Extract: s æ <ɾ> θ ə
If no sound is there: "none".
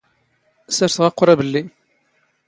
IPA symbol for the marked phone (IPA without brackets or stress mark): ɾ